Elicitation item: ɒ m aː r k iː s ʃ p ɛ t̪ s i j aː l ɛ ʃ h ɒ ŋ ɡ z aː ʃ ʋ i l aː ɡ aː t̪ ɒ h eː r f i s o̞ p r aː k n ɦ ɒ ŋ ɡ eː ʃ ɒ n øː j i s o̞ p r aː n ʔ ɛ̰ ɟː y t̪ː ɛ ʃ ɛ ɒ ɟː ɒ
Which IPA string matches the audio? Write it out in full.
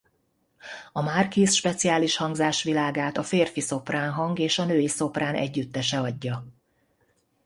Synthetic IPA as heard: ɒ m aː r k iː s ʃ p ɛ t̪ s i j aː l i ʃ h ɒ ŋ ɡ z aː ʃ ʋ i l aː ɡ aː t̪ ɒ f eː r f i s o̞ p r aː n ɦ ɒ ŋ ɡ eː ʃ ɒ n øː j i s o̞ p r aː n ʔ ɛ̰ ɟː y t̪ː ɛ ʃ ɛ ɒ ɟː ɒ